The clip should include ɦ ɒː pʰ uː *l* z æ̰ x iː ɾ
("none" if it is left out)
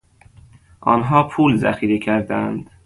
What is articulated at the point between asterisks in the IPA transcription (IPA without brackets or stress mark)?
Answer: l